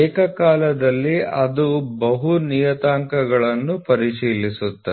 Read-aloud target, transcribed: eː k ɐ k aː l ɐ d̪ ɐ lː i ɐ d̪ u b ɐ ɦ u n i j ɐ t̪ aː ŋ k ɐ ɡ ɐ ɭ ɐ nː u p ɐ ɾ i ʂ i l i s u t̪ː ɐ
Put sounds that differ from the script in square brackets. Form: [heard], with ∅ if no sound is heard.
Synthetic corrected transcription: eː k ɐ k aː l ɐ d̪ ɐ lː i ɐ d̪ u b ɐ ɦ u n i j ɐ t̪ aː ŋ k ɐ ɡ ɐ ɭ ɐ nː u p ɐ ɾ i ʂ [iː] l i s u t̪ː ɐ